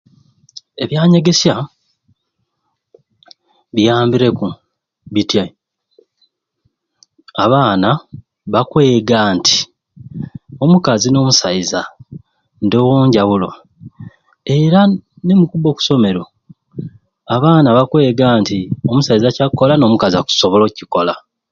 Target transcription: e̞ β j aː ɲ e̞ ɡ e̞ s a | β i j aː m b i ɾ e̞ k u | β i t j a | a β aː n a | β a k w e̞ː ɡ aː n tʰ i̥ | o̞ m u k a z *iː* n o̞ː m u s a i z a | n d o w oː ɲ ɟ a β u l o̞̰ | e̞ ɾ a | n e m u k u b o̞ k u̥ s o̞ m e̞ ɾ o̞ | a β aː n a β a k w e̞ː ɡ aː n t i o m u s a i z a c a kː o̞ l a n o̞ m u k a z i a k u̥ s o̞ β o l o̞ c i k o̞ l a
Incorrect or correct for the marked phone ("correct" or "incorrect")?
incorrect